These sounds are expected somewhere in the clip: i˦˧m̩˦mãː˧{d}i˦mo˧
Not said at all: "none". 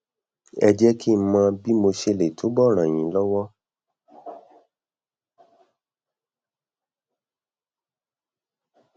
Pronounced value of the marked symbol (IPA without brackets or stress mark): b